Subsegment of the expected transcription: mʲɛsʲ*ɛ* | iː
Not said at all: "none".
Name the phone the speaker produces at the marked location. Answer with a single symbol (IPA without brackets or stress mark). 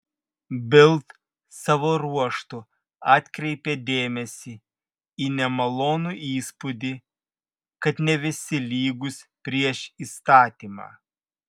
i